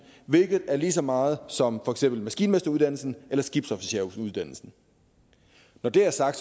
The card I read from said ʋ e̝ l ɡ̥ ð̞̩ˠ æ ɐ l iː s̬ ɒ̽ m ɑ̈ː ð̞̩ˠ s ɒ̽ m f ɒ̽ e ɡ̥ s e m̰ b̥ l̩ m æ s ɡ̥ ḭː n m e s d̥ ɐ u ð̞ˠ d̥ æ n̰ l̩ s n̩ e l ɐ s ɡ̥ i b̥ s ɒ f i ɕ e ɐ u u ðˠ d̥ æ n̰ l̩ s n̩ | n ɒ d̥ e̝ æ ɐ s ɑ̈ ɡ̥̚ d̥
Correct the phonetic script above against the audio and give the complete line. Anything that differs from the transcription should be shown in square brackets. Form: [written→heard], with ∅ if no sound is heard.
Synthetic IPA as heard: ʋ e̝ l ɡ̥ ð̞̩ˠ æ ɐ l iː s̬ ɒ̽ m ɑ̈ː ð̞̩ˠ s ɒ̽ m f ɒ̽ e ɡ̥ s e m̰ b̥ l̩ m æ s ɡ̥ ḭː n m e s d̥ ɐ u ð̞ˠ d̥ æ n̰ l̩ s n̩ e l ɐ s ɡ̥ i b̥ s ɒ f i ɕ e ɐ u u ðˠ d̥ æ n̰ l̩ s n̩ | n ɒ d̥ e̝ æ ɐ s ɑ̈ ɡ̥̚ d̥